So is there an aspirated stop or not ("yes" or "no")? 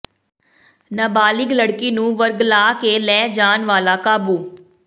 no